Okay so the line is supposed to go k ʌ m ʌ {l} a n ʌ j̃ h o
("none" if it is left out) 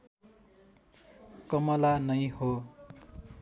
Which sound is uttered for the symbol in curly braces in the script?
l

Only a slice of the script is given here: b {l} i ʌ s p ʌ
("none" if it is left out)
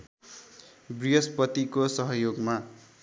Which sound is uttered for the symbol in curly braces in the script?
r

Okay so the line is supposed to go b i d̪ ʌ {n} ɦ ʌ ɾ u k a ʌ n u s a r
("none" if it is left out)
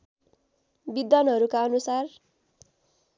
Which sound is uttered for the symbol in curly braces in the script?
n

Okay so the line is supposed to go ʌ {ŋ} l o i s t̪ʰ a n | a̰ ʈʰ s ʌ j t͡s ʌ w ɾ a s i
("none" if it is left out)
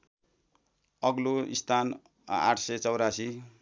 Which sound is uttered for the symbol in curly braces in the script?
ɡ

